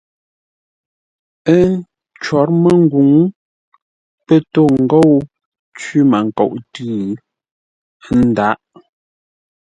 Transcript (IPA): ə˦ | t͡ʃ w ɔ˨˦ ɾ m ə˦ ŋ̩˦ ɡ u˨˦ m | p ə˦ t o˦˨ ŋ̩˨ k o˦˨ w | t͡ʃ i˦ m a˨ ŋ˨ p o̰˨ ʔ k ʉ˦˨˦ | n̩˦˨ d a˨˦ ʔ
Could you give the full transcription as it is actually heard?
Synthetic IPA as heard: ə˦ | t͡ʃ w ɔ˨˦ ɾ m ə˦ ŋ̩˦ ɡ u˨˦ ŋ | p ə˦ t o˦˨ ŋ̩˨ ɡ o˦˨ w | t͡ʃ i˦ m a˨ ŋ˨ k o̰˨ ʔ t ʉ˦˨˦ | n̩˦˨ d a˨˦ ʔ